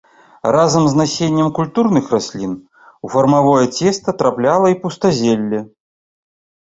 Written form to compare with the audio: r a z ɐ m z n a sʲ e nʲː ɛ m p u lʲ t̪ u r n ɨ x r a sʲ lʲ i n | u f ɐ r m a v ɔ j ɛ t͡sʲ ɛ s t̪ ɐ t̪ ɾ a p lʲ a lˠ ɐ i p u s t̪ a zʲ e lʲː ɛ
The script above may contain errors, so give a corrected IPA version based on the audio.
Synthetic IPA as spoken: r a z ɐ m z n a sʲ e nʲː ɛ m k u lʲ t̪ u r n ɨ x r a sʲ lʲ i n | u f ɐ r m a v ɔ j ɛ t͡sʲ ɛ s t̪ ɐ t̪ ɾ a p lʲ a lˠ ɐ i p u s t̪ a zʲ e lʲː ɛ